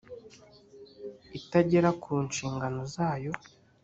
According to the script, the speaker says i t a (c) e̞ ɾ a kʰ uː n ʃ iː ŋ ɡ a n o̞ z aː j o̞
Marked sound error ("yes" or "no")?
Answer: yes